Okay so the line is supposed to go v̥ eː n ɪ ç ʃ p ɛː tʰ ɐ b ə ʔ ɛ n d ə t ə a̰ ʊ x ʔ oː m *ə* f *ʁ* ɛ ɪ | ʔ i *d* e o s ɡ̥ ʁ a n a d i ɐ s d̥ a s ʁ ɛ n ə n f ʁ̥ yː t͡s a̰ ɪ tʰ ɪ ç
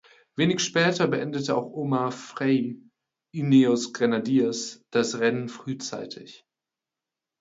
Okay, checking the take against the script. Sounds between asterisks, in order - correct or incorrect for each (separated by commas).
incorrect, correct, incorrect